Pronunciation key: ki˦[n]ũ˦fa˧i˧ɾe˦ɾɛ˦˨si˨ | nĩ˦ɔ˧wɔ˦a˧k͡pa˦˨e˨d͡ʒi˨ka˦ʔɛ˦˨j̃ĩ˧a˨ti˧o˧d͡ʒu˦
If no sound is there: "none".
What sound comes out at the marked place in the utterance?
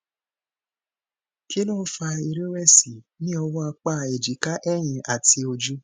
n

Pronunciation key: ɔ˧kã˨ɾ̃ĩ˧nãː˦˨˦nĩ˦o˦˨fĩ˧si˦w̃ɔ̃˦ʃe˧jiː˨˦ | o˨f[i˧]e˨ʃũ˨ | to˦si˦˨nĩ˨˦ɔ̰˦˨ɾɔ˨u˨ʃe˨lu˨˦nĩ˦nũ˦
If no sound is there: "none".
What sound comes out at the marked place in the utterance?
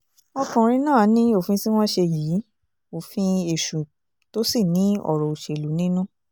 ĩ˧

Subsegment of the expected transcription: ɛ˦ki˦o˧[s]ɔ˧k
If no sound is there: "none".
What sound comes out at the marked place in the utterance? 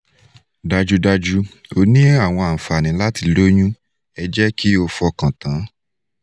f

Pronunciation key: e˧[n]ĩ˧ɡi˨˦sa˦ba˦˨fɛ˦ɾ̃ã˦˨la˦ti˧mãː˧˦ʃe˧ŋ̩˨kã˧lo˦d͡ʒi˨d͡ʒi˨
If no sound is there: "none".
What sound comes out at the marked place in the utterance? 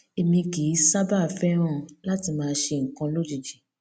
m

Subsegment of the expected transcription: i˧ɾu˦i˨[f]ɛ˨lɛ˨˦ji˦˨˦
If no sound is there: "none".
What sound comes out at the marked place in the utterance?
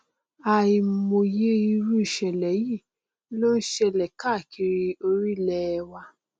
ʃ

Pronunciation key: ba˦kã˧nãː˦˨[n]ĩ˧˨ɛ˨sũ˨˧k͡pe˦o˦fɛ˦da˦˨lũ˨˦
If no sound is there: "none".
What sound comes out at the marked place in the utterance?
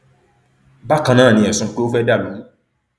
n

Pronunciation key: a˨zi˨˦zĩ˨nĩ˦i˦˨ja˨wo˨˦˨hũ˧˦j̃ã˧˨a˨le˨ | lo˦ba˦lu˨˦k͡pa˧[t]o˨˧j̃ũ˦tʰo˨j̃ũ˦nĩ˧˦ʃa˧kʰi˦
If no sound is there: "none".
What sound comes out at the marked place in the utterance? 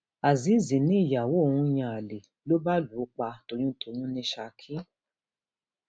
t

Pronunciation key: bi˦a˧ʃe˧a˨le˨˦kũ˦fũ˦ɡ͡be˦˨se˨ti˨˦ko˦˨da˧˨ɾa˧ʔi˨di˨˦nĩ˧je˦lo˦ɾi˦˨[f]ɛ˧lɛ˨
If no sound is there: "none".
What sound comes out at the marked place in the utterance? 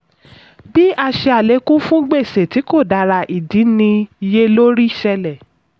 ʃ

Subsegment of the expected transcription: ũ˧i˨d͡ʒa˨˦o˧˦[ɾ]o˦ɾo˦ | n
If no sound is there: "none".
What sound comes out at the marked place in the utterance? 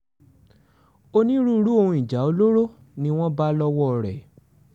l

